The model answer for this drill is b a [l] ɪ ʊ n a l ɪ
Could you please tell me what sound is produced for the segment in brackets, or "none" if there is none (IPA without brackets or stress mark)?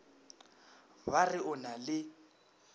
r